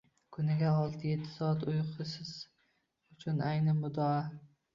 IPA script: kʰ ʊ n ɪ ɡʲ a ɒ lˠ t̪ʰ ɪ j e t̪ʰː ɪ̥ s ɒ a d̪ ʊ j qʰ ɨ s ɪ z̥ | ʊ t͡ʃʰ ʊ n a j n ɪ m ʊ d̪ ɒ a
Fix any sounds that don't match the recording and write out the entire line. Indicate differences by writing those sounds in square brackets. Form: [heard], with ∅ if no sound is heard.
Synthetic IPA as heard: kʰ ʊ n ɪ ɡʲ a ɒ lˠ t̪ʰ ɪ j e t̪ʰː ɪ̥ s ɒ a [t̪] ʊ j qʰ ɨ s ɪ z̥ | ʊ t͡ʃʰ ʊ n a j n ɪ m ʊ d̪ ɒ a